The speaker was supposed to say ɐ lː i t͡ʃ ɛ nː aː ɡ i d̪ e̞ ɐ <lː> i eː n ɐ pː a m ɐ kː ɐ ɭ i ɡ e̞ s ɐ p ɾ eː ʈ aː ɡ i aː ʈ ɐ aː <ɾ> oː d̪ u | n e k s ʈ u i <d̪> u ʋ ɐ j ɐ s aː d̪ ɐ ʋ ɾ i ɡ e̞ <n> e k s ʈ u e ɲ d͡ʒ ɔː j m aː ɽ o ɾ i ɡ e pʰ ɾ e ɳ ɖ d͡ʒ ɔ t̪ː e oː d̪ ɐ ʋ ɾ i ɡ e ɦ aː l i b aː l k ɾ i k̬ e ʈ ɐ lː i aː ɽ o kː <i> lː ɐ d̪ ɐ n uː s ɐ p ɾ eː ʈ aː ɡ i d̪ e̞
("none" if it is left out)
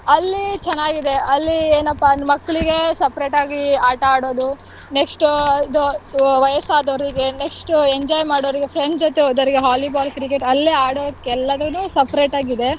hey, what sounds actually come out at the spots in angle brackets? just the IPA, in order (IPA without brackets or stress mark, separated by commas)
lː, ɽ, d̪, n, ɛ